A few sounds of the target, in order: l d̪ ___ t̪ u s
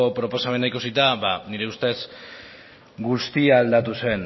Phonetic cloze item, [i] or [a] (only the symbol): a